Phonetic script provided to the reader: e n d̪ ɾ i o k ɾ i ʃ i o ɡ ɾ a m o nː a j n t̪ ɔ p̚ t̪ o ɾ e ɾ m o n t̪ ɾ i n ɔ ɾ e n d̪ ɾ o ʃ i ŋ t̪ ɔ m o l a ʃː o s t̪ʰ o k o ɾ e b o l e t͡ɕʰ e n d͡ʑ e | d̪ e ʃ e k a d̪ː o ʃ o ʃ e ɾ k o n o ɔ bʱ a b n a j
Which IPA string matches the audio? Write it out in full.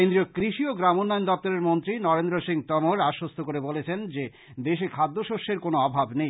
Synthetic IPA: e n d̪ ɾ i o k ɾ i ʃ i o ɡ ɾ a m o nː a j n d̪ ɔ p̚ t̪ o ɾ e ɾ m o n t̪ ɾ i n ɔ ɾ e n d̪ ɾ o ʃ i ŋ t̪ ɔ m o ɾ a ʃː o s t̪ʰ o k o ɾ e b o l e t͡ɕʰ e n d͡ʑ e | d̪ e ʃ e kʰ a d̪ː o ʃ o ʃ e ɾ k o n o ɔ bʱ a b n e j